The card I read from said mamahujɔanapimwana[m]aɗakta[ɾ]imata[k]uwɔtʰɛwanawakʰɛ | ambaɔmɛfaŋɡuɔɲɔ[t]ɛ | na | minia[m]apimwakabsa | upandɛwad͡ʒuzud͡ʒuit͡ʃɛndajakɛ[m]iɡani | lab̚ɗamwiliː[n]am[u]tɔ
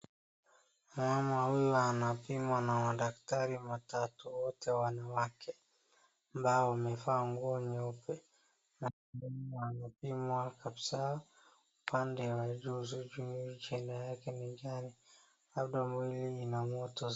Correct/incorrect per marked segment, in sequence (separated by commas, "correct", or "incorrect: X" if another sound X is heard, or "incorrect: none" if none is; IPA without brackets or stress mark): correct, correct, incorrect: t, incorrect: p, incorrect: n, incorrect: n, correct, incorrect: ɔ